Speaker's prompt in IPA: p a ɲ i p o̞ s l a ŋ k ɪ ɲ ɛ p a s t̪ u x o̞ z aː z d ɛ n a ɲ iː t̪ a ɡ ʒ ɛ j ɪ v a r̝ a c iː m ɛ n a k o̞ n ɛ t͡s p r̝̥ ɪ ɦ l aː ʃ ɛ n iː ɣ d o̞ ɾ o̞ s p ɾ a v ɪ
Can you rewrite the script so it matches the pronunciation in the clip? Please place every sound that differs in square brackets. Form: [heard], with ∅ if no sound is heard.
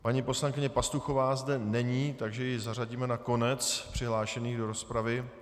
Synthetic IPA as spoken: p a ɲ i p o̞ s l a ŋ k ɪ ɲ ɛ p a s t̪ u x o̞ [v] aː z d ɛ n [ɛ] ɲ iː t̪ a ɡ ʒ ɛ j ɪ [z] a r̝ a [ɟ] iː m ɛ n a k o̞ n ɛ t͡s p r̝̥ ɪ ɦ l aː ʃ ɛ n iː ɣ d o̞ ɾ o̞ s p ɾ a v ɪ